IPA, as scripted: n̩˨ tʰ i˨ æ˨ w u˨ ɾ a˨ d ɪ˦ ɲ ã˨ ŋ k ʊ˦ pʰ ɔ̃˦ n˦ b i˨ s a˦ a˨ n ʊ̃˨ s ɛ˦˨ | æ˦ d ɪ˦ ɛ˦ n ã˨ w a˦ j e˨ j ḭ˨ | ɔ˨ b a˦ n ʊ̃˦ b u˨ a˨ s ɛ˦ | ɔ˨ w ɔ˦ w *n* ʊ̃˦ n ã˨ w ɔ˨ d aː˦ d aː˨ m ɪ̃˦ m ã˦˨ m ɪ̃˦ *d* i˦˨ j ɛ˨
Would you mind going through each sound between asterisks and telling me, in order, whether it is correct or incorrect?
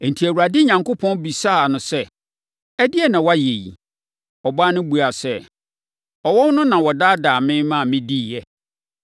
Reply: correct, correct

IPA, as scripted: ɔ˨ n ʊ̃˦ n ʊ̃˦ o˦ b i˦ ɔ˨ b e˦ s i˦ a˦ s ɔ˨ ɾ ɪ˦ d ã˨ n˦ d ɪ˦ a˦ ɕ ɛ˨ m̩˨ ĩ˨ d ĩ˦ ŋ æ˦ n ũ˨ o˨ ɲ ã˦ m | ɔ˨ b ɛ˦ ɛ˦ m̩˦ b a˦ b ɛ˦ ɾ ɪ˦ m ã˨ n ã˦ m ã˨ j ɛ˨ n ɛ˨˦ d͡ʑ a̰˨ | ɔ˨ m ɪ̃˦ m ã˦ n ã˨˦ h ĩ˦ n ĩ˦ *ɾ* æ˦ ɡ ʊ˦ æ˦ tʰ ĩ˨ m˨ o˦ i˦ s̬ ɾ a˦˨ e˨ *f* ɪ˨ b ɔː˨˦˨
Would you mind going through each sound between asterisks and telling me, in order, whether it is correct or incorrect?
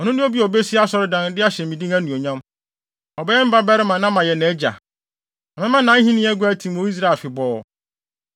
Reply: incorrect: none, correct

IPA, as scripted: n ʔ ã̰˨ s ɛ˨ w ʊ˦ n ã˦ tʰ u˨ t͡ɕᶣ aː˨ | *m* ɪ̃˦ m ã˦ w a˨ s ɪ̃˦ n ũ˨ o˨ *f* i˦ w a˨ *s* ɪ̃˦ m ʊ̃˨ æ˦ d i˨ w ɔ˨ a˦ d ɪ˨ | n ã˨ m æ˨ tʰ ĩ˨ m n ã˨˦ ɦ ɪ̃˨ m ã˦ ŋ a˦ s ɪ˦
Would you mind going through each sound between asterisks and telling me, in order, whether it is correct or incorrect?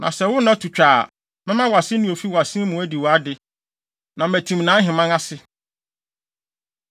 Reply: correct, correct, correct

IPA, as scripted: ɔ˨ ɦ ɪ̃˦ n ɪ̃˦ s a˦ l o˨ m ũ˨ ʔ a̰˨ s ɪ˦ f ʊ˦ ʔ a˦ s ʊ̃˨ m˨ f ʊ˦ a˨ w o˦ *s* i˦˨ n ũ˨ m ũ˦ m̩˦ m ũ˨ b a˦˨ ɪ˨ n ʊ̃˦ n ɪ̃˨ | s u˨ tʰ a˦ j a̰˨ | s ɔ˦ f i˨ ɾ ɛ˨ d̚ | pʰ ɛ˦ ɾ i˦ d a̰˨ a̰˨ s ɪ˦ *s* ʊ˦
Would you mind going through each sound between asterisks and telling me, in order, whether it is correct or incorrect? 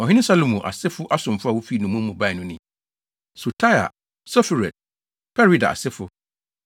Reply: incorrect: f, incorrect: f

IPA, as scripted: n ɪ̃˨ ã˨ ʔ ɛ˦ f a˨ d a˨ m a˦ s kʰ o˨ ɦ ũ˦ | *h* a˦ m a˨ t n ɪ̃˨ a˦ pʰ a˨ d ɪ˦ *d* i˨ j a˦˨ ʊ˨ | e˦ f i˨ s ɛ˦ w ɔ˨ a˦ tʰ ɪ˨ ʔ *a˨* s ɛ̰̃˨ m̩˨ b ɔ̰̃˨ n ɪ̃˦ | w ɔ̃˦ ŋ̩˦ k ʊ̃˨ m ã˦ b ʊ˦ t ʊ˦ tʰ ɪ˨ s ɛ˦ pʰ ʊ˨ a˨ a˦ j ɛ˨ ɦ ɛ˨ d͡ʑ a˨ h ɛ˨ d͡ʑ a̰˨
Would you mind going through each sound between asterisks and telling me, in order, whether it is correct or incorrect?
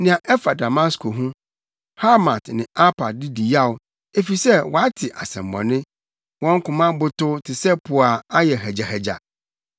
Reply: correct, correct, correct

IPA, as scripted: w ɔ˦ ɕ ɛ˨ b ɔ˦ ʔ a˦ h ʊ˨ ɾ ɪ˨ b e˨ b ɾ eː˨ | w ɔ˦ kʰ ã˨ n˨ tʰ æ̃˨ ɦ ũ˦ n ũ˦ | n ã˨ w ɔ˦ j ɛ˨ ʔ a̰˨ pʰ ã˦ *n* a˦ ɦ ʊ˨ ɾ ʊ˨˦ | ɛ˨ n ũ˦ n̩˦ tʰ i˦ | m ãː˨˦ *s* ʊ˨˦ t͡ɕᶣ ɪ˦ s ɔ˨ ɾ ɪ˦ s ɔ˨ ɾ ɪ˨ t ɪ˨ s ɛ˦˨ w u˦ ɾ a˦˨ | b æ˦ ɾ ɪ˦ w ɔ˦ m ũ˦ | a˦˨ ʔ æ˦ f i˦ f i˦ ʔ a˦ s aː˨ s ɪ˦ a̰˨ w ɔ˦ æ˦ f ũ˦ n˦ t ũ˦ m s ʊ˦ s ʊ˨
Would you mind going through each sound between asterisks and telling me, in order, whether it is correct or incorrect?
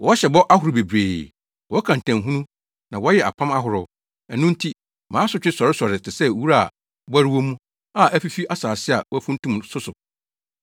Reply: incorrect: m, correct

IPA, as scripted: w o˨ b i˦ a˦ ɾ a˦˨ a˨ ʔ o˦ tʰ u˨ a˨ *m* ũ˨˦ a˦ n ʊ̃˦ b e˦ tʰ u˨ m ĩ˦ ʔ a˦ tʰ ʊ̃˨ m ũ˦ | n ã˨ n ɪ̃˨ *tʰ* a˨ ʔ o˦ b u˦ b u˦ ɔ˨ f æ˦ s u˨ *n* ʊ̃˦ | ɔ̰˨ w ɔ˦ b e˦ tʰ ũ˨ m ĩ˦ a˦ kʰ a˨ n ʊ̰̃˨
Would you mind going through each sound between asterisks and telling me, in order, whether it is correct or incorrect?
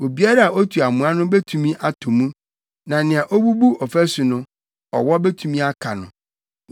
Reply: correct, incorrect: none, correct

